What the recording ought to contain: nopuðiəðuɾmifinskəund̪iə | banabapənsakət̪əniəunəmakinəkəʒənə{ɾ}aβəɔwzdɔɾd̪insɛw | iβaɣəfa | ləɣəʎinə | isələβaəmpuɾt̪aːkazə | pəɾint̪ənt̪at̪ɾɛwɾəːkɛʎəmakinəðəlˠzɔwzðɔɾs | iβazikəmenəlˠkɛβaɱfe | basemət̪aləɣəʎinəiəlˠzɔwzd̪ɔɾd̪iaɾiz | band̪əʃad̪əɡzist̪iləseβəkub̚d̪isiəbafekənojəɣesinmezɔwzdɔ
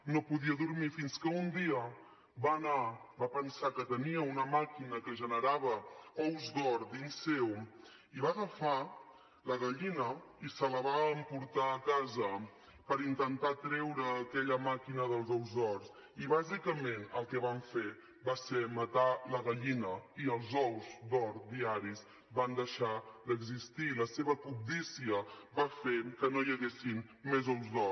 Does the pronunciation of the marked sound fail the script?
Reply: no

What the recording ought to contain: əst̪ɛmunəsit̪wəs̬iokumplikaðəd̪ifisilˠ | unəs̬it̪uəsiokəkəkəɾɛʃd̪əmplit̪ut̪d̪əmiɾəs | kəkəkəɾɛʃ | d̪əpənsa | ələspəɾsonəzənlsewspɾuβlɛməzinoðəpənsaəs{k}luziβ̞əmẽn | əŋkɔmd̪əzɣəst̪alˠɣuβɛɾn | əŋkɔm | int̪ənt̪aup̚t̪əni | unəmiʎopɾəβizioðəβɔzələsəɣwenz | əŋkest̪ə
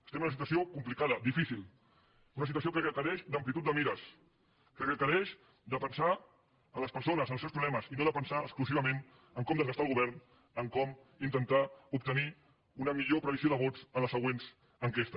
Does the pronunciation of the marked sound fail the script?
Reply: no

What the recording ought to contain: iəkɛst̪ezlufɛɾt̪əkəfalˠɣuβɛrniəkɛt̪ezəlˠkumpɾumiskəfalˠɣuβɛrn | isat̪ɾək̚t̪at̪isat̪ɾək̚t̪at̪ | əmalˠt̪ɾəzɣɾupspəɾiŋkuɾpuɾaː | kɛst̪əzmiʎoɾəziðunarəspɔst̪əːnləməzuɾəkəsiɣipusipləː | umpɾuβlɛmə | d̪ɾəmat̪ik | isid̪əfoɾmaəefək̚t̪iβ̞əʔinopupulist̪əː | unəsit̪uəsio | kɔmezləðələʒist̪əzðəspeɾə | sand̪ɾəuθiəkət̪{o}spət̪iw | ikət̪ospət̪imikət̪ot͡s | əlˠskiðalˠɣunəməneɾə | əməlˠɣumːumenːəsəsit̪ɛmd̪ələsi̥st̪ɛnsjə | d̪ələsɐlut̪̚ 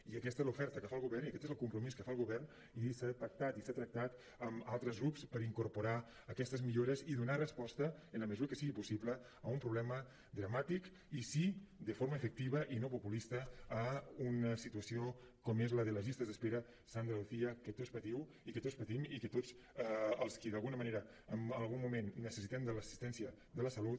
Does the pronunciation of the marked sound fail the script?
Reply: no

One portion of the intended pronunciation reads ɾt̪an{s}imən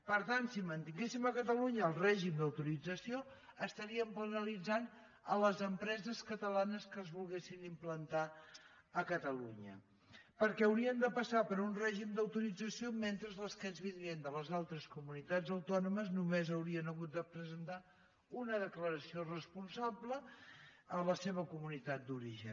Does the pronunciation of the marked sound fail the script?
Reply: no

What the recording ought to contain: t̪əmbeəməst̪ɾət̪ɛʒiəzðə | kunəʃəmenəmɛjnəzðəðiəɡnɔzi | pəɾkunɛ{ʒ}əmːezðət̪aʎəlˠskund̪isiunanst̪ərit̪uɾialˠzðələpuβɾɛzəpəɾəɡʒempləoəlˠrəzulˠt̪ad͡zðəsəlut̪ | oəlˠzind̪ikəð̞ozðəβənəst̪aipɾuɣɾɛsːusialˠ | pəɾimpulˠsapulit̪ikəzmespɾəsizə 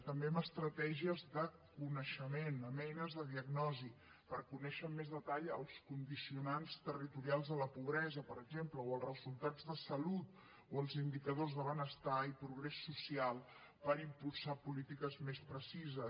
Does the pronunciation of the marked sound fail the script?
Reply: yes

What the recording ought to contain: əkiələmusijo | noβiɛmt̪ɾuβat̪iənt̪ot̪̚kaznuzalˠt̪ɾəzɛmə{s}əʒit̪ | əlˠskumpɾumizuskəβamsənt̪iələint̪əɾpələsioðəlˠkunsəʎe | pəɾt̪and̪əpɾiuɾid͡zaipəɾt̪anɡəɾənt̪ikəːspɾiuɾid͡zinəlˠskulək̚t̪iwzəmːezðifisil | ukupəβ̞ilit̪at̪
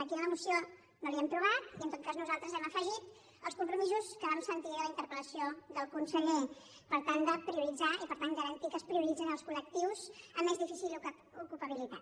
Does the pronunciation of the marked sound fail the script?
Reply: yes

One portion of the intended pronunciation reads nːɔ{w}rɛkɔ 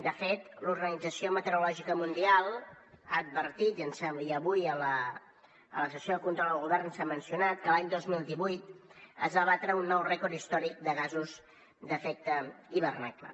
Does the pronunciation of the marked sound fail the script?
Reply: no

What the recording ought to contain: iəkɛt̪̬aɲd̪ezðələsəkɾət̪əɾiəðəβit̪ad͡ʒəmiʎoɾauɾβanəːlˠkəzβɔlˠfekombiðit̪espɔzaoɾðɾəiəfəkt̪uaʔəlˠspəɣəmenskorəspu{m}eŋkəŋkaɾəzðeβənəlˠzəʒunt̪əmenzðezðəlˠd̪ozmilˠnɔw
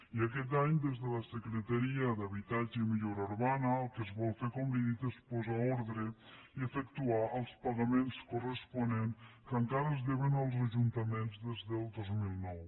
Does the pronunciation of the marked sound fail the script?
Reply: yes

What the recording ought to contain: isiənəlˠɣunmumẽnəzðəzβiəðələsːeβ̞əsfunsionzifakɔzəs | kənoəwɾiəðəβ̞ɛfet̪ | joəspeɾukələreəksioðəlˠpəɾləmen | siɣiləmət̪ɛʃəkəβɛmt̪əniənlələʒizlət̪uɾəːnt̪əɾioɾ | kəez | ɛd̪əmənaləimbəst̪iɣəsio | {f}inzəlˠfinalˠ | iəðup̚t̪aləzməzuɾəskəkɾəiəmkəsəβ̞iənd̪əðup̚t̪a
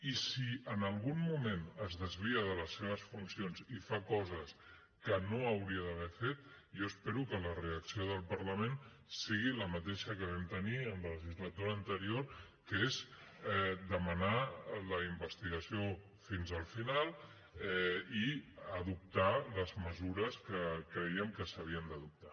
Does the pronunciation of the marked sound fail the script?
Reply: no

